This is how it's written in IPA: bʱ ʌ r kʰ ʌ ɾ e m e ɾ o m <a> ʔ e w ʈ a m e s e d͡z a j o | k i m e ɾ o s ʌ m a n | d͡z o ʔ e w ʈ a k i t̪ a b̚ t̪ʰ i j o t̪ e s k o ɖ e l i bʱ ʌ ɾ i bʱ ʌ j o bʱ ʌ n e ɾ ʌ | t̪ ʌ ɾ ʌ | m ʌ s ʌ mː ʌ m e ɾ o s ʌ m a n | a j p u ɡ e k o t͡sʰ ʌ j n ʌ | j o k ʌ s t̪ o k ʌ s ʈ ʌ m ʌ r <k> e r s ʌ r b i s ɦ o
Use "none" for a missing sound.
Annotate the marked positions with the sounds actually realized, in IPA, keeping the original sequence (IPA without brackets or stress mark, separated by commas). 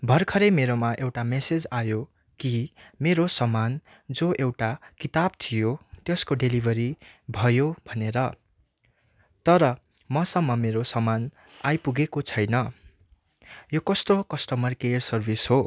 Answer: a, k